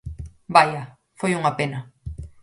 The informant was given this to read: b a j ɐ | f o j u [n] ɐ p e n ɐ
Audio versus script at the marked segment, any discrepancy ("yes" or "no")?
yes